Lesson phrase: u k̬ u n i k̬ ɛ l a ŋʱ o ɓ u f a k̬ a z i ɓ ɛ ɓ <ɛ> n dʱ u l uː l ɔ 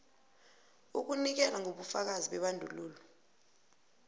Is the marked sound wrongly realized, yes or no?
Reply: yes